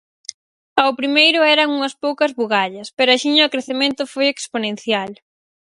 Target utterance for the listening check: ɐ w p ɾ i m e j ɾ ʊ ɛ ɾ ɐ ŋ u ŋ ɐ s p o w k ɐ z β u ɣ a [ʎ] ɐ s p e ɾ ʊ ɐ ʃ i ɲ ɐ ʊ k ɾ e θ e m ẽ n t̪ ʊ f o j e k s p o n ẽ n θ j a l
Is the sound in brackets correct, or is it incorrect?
correct